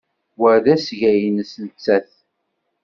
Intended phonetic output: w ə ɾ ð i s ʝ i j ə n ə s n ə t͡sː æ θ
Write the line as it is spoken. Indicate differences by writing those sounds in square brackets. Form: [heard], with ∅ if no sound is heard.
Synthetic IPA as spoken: w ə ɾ ð [æ] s ʝ [æ] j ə n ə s n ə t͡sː æ θ